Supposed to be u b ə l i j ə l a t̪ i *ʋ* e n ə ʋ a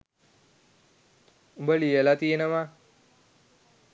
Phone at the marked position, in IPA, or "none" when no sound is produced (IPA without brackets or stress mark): none